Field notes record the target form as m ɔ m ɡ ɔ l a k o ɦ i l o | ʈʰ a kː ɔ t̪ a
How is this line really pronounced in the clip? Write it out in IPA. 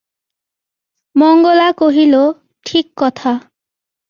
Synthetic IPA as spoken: m ɔ ŋ ɡ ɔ l a k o ɦ i l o | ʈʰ i kː ɔ t̪ʰ a